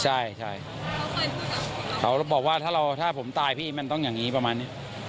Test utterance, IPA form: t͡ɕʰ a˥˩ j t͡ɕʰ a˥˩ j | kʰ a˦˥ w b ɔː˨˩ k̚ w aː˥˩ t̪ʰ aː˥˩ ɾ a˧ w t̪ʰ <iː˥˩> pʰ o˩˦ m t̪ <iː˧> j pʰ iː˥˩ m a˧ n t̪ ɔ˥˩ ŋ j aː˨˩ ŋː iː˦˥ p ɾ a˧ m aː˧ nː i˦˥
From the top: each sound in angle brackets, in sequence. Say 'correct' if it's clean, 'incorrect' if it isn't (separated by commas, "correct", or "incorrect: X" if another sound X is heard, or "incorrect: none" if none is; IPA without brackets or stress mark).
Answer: incorrect: aː˥˩, incorrect: aː˧